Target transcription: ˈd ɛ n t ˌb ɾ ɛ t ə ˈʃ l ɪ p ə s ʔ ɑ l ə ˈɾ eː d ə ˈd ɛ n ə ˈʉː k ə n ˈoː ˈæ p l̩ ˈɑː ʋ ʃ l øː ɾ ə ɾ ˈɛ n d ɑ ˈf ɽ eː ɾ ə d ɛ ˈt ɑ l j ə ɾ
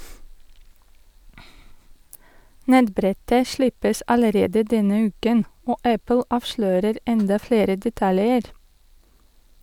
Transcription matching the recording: ˈn ɛ t ˌb ɾ ɛ t ə ˈʃ l ɪ p ə s ʔ ɑ l ə ˈɾ eː d ə ˈd ɛ n ə ˈʉː k ə n ˈoː ˈæ p l̩ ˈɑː ʋ ʃ l øː ɾ ə ɾ ˈɛ n d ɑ ˈf ɽ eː ɾ ə d ɛ ˈt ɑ l j ə ɾ